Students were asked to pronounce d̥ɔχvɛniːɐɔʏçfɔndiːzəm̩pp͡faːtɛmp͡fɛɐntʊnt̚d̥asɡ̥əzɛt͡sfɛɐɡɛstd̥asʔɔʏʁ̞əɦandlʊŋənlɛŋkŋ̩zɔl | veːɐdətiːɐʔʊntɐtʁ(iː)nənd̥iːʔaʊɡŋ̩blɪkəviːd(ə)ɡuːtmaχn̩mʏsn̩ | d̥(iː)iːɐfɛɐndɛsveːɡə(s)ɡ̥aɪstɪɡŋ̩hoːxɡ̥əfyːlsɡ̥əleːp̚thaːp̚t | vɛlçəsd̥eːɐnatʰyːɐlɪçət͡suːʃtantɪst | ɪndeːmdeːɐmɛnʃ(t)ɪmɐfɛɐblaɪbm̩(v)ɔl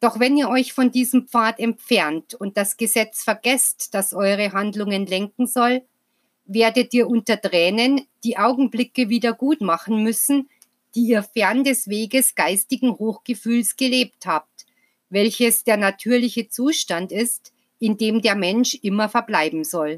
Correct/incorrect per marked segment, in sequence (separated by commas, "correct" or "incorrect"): incorrect, incorrect, correct, correct, incorrect, incorrect